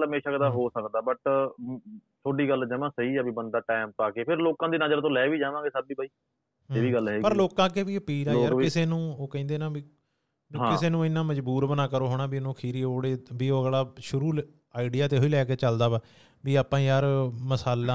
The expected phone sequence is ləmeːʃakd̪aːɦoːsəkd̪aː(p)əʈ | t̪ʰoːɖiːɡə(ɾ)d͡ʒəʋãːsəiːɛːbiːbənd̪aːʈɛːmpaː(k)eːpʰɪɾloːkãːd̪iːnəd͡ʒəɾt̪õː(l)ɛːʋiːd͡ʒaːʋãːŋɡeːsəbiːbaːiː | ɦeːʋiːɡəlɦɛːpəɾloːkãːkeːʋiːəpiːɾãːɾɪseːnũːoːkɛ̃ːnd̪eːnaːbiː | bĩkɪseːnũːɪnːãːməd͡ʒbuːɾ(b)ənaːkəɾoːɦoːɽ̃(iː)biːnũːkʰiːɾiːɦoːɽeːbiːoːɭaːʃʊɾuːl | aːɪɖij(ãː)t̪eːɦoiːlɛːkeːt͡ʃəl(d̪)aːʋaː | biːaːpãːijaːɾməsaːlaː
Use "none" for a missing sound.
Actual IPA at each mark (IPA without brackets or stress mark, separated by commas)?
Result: b, l, k, l, b, aː, aː, d̪